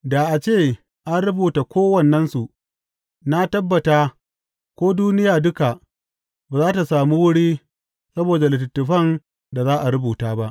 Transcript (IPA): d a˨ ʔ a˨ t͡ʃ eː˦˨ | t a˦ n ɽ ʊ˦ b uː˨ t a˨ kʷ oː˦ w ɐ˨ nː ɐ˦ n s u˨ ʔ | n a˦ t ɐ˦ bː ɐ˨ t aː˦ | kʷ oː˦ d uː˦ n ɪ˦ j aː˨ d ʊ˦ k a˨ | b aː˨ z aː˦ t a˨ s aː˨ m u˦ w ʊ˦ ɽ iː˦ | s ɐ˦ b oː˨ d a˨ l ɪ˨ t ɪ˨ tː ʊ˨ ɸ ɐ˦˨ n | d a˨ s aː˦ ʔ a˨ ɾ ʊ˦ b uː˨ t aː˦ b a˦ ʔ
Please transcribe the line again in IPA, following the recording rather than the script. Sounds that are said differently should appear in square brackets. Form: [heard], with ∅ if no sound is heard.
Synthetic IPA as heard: d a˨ ʔ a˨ t͡ʃ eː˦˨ | [ʔ] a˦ n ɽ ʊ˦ b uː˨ t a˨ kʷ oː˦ w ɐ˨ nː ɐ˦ n s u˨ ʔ | n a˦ t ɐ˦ bː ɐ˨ t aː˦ | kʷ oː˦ d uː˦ n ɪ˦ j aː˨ d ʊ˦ k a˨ | b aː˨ z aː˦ t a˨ s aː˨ m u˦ w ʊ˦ ɽ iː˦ | s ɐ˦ b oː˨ d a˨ l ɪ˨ t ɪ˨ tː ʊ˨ ɸ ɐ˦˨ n | d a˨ [z] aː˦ ʔ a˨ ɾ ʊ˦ b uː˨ t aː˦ b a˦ ʔ